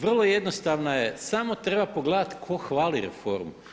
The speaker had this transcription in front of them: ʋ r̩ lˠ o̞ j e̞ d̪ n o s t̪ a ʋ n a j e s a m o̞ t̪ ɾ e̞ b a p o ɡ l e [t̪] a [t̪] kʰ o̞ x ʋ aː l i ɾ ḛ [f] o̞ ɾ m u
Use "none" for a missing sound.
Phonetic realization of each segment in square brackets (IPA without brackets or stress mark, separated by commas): d̪, t̪, f